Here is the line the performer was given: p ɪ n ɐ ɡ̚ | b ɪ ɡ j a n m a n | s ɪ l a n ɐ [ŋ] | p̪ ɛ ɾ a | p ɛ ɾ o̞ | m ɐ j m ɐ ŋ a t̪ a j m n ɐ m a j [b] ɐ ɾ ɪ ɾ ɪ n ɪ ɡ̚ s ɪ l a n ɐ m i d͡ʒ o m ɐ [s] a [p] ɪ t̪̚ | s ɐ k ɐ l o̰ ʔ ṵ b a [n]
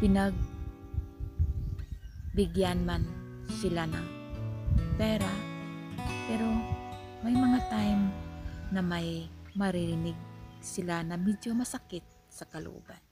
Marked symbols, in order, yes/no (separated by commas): yes, no, yes, no, yes